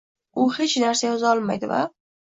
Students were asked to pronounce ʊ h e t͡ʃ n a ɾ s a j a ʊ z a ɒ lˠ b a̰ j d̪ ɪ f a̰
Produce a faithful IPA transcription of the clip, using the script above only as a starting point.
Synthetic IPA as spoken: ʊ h e t͡ʃ n a ɾ s a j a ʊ z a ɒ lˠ m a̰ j d̪ ɪ v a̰